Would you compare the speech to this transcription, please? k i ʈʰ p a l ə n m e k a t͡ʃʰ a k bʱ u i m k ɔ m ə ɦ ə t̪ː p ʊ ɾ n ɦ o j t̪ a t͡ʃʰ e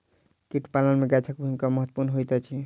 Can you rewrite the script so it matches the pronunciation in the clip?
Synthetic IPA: k i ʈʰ p a l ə n m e ɡ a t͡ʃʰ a k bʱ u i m k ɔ m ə ɦ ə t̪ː p u ɾ n ɦ o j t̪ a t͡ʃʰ i